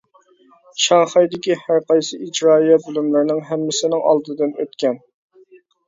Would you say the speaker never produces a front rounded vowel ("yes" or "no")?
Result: no